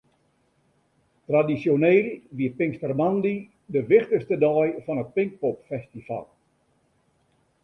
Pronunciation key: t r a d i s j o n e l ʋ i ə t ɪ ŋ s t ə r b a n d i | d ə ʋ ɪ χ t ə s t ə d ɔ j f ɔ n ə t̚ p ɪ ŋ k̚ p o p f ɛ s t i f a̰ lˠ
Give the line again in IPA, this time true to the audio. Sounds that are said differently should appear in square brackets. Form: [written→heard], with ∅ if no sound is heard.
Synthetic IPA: t r a d i s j o n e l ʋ i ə [t→p] ɪ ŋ s t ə r [b→m] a n d i | d ə ʋ ɪ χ t ə s t ə d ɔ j f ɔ n ə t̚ p ɪ ŋ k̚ p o p f ɛ s t i f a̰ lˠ